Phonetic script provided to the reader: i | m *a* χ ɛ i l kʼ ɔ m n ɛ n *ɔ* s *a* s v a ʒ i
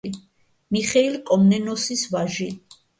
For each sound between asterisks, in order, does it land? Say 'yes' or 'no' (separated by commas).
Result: no, yes, no